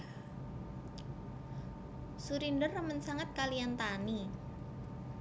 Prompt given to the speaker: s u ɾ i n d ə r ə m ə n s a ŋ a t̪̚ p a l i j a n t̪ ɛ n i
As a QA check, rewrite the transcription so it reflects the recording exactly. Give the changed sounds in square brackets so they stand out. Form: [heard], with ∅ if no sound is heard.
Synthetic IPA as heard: s u ɾ i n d ə r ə m ə n s a ŋ a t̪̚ [k] a l i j a n t̪ [a] n i